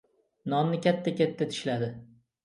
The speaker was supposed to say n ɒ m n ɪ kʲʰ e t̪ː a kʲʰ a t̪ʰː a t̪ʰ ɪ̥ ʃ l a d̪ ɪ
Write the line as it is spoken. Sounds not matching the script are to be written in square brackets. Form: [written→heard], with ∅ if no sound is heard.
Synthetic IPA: n ɒ [m→n] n ɪ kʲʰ [e→a] t̪ː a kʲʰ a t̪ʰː a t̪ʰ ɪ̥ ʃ l a d̪ ɪ